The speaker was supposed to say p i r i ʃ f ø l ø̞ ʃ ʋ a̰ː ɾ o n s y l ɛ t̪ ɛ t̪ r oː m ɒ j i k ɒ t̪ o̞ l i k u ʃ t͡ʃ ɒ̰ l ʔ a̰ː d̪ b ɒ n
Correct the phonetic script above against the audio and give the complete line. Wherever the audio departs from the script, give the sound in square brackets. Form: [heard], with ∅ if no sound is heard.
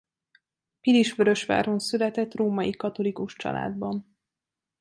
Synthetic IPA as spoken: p i [l] i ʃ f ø [ɾ] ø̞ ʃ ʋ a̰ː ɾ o n s y l ɛ t̪ ɛ t̪ r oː m ɒ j i k ɒ t̪ o̞ l i k u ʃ t͡ʃ ɒ̰ l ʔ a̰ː d̪ b ɒ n

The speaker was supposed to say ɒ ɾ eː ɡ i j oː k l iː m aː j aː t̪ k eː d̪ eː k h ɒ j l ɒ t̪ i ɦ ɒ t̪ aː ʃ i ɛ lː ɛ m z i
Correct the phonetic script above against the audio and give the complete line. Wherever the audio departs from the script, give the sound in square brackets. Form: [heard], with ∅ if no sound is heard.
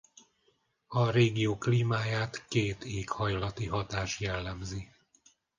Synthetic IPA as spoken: ɒ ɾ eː ɡ i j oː k l iː m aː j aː t̪ k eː [t̪] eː k h ɒ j l ɒ t̪ i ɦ ɒ t̪ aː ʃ [j] ɛ lː ɛ m z i

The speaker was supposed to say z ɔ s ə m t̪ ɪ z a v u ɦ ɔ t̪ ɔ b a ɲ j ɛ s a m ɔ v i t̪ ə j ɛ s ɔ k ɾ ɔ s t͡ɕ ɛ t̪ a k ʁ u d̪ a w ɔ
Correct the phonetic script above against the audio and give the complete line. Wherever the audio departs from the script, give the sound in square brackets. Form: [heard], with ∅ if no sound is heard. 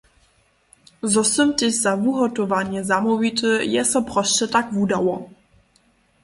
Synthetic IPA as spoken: z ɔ s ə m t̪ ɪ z a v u ɦ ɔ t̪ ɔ [v] a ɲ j ɛ [z] a m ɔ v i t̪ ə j ɛ s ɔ [p] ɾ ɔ s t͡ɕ ɛ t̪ a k [v] u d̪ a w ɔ

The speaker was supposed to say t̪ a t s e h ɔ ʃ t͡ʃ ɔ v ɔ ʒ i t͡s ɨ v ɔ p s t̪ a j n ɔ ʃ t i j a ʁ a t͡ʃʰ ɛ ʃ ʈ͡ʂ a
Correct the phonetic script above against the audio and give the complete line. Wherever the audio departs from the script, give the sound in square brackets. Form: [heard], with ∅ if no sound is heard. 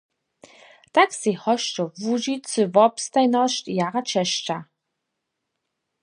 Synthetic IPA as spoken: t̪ a [k] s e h ɔ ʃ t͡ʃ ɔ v [u] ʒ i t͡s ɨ v ɔ p s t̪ a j n ɔ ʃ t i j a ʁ a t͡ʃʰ ɛ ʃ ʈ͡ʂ a

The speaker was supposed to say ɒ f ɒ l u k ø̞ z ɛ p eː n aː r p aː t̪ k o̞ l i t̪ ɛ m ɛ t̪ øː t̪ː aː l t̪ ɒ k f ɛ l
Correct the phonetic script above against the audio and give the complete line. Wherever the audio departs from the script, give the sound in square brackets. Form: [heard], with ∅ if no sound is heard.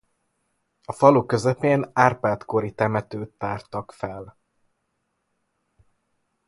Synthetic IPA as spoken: ɒ f ɒ l u k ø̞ z ɛ p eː n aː r p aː t̪ k o̞ [ɾ] i t̪ ɛ m ɛ t̪ øː t̪ː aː [r] t̪ ɒ k f ɛ l

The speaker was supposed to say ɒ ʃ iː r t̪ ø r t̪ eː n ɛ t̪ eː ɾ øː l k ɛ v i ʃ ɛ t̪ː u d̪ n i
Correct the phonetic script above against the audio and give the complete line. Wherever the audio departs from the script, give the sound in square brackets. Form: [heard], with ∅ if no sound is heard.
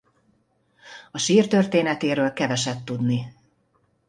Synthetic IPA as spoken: ɒ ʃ iː r t̪ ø r t̪ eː n ɛ t̪ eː ɾ øː l k ɛ v [ɛ] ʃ ɛ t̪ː u d̪ n i

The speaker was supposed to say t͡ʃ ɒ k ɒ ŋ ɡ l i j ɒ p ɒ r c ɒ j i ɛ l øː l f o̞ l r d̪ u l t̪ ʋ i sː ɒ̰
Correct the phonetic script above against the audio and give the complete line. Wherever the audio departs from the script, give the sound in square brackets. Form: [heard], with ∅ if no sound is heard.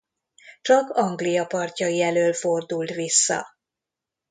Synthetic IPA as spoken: t͡ʃ ɒ k ɒ ŋ ɡ l i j ɒ p ɒ r c ɒ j i ɛ l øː l f o̞ [∅] r d̪ u l t̪ ʋ i sː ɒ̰

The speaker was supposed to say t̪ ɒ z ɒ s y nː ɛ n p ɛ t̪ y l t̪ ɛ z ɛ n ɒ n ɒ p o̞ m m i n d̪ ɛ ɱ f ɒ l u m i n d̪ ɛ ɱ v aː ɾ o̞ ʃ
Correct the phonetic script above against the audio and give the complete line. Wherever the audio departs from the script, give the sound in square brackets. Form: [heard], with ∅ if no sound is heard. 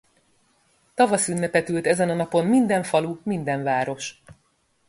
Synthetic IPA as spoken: t̪ ɒ [v] ɒ s y nː ɛ [∅] p ɛ t̪ y l t̪ ɛ z ɛ n ɒ n ɒ p o̞ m m i n d̪ ɛ ɱ f ɒ l u m i n d̪ ɛ ɱ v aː ɾ o̞ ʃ

